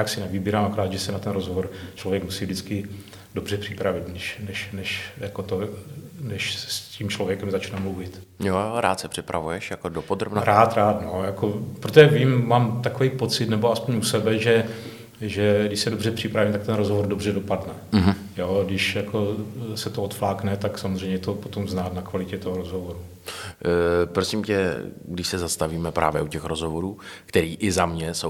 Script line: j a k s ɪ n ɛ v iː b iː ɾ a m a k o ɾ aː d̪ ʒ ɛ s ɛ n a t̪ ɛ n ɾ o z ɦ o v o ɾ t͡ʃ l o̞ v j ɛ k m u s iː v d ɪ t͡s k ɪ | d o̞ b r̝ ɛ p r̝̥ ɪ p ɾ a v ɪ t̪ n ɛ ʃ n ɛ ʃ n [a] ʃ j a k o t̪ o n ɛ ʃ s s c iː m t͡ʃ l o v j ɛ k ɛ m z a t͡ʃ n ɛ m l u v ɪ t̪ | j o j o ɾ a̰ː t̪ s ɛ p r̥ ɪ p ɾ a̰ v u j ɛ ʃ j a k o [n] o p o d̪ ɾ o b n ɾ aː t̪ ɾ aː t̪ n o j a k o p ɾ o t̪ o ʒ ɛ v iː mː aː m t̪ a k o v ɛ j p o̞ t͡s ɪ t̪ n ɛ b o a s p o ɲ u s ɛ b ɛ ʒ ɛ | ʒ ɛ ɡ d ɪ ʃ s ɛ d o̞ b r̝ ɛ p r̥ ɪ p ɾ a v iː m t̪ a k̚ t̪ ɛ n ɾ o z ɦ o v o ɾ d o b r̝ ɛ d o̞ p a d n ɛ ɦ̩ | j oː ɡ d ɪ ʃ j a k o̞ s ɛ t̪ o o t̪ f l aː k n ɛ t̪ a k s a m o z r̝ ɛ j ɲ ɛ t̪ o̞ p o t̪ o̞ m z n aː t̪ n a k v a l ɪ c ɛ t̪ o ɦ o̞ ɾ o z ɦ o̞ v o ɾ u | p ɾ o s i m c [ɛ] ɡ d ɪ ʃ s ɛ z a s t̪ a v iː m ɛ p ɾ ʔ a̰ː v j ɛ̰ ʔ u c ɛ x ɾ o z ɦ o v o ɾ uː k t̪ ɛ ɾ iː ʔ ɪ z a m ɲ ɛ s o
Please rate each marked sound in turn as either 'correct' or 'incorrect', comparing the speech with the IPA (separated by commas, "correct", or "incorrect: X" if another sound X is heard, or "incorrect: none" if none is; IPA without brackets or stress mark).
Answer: incorrect: ɛ, incorrect: d, correct